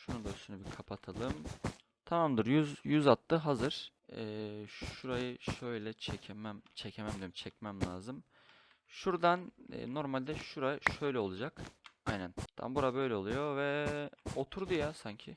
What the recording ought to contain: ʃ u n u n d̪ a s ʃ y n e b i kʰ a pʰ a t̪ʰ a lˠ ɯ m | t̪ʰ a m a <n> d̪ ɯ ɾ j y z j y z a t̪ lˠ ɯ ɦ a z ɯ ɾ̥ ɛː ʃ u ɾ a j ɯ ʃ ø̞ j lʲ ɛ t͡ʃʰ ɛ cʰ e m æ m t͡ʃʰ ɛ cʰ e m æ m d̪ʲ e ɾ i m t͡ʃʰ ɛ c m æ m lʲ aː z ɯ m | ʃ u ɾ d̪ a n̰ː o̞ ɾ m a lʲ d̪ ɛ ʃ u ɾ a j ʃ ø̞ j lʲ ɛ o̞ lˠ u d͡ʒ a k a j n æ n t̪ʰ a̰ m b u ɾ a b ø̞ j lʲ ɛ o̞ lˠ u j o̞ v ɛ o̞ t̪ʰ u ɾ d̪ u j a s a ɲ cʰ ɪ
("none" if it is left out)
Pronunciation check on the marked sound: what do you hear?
m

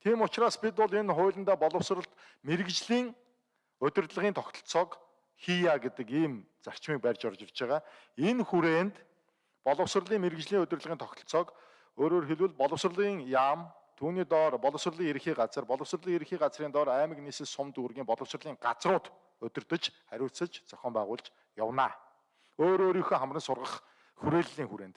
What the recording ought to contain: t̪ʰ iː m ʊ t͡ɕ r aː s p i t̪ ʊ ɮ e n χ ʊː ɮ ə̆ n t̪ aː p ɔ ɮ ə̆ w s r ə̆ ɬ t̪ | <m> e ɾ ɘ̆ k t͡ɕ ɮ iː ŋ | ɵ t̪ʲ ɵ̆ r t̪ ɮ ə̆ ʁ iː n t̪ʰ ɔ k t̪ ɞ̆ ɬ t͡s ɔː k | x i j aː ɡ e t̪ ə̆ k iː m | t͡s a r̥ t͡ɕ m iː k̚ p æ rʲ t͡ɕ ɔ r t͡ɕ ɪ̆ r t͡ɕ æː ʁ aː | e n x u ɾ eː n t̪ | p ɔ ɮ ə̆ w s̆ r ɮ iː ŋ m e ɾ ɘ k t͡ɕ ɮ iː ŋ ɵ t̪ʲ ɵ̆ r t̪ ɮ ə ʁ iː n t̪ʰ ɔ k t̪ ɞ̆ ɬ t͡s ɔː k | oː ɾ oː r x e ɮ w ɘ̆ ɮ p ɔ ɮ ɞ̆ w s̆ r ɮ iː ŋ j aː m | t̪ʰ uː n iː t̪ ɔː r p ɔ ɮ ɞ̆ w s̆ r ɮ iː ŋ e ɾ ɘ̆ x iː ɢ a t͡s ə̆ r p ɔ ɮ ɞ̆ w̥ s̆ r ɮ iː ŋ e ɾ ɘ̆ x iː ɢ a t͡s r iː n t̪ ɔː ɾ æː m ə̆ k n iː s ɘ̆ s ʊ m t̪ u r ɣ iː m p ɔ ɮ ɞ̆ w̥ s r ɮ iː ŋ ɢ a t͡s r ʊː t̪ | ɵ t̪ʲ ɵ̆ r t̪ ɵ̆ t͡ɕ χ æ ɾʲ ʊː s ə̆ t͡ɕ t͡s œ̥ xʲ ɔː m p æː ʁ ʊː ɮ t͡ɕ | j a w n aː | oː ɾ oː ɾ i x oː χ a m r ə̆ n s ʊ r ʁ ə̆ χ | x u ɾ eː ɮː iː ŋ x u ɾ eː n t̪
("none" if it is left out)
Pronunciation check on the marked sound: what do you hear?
m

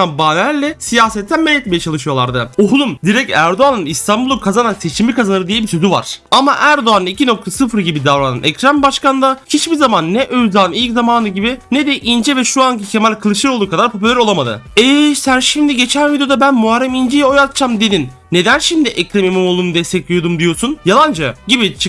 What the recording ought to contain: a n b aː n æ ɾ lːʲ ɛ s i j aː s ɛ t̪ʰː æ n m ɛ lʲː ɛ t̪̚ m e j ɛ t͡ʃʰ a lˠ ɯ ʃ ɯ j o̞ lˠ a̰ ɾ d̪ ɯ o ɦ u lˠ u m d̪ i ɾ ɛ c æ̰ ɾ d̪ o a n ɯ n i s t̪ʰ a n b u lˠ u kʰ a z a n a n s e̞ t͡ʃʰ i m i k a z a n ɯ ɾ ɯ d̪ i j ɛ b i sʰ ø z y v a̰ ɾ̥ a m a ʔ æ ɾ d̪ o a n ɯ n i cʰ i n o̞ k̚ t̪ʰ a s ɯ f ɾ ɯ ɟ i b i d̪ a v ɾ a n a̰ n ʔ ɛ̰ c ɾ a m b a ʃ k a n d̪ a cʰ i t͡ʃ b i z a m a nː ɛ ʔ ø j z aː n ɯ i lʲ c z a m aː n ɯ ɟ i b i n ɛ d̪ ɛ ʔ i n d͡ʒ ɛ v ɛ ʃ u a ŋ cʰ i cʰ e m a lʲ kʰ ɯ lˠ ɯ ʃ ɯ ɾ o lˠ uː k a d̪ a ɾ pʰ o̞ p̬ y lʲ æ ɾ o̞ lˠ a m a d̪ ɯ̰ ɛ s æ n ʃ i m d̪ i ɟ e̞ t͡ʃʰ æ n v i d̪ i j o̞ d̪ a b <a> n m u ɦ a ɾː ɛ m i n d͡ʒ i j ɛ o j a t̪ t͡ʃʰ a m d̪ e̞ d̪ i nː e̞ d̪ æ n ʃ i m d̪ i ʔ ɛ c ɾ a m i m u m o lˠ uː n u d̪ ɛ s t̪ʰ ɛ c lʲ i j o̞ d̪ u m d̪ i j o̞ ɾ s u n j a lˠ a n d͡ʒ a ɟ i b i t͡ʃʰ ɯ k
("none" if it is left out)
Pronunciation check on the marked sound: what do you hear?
æ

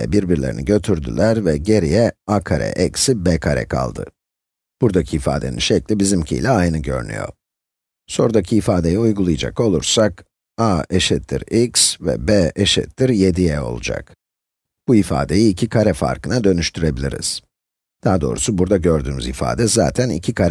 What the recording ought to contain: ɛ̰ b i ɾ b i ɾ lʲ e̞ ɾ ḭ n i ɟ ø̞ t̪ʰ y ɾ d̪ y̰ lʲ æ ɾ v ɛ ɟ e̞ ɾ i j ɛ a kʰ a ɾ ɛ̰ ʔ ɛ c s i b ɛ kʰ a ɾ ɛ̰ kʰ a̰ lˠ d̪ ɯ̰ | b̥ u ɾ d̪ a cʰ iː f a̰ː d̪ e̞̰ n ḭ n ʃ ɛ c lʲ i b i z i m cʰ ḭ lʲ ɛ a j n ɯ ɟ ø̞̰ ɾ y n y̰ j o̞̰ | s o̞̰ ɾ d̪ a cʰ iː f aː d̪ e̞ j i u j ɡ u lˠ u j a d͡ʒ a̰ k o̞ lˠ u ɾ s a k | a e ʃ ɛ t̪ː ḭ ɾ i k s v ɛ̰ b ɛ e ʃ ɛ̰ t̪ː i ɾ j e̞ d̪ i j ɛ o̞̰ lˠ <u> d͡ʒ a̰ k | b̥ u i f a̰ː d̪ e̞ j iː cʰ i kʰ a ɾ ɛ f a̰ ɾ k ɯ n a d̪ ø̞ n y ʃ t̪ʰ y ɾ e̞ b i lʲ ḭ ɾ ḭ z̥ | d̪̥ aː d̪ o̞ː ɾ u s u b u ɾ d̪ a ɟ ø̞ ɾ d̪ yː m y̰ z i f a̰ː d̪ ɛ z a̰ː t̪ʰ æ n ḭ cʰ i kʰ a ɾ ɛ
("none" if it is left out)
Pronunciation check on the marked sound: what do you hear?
u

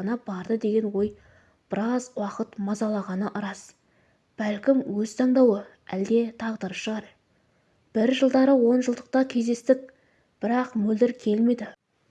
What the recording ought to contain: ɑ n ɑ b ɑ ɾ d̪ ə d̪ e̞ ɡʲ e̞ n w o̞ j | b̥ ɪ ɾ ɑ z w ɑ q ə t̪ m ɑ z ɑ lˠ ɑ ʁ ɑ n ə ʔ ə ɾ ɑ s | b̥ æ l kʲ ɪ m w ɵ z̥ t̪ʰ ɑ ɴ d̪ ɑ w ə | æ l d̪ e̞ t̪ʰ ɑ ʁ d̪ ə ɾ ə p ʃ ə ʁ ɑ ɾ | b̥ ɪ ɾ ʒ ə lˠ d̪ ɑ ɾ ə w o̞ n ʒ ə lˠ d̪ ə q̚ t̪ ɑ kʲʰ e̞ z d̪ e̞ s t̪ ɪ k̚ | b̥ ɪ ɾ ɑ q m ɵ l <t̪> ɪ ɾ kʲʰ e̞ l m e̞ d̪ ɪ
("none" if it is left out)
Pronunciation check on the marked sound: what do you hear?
d̪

